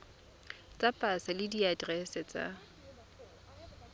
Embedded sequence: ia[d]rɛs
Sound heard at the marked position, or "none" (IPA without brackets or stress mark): d